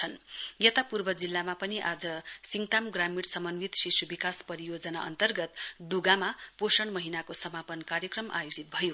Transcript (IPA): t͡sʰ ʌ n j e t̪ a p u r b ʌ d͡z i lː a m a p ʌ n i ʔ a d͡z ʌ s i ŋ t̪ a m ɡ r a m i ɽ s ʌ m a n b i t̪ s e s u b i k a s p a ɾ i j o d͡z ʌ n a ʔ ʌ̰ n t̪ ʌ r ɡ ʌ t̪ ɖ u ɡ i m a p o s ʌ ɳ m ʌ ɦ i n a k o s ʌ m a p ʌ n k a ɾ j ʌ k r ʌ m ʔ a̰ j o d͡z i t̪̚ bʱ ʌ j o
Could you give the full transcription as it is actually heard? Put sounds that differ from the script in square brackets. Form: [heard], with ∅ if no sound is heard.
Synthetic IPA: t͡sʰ ʌ n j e t̪ a p u r b ʌ d͡z i lː a m a p ʌ n i ʔ a d͡z ʌ s i ŋ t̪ a m ɡ r a m i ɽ s ʌ m [ʌ] n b i t̪ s [i] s u b i k a s p [ʌ] ɾ i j o d͡z ʌ n a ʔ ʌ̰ n t̪ ʌ r ɡ ʌ t̪ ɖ u ɡ [a] m a p o s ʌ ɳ m ʌ ɦ i n a k o s ʌ m a p ʌ n k a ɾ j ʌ k r ʌ m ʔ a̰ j o d͡z i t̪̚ bʱ ʌ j o